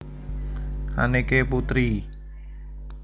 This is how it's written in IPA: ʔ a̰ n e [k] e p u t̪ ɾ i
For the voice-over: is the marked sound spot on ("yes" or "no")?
yes